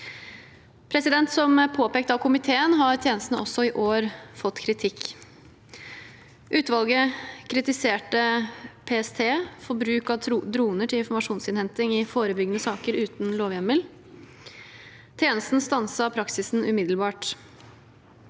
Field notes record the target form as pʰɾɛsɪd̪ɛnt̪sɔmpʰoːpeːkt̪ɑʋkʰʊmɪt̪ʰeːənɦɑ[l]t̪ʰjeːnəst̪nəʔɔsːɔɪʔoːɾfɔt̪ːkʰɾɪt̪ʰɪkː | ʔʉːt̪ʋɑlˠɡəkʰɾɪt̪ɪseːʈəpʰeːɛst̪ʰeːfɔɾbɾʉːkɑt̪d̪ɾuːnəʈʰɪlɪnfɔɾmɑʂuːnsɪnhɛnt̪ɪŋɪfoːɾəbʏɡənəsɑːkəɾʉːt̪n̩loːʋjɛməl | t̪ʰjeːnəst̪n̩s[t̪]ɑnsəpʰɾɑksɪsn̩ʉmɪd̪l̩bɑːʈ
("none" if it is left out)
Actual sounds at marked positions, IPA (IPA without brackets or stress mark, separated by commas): ɾ, t̪